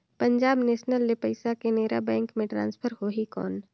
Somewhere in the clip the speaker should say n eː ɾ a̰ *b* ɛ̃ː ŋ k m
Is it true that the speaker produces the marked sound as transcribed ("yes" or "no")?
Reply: yes